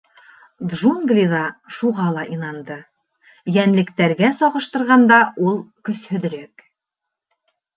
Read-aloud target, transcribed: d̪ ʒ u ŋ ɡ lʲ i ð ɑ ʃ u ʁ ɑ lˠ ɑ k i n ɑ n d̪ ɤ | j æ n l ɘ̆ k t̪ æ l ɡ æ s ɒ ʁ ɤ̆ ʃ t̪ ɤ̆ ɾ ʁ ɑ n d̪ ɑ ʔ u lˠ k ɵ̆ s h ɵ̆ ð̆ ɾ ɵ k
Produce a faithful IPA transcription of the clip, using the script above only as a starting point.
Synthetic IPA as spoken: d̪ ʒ u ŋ ɡ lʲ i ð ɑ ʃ u ʁ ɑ lˠ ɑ ʔ i n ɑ n d̪ ɤ | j æ n l ɘ̆ k t̪ æ ɾ ɡ æ s ɒ ʁ ɤ̆ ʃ t̪ ɤ̆ ɾ ʁ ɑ n d̪ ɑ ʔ u lˠ k ɵ̆ s h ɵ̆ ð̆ ɾ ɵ k